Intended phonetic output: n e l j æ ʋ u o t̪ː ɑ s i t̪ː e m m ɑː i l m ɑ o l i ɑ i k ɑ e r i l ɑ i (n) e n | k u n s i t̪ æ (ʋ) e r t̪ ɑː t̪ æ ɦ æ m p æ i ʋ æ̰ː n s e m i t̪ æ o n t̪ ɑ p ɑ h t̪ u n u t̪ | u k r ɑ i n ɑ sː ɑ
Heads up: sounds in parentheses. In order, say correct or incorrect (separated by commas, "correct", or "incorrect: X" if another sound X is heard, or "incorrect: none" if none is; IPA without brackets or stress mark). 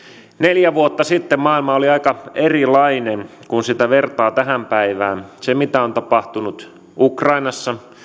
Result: correct, correct